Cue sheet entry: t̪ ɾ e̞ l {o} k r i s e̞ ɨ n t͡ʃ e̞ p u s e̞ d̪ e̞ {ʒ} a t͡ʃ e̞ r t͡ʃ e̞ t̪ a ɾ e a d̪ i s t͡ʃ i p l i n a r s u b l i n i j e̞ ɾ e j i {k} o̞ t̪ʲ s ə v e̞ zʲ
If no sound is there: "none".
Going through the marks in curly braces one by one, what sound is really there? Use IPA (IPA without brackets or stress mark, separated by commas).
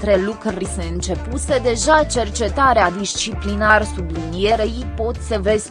u, ʒ, p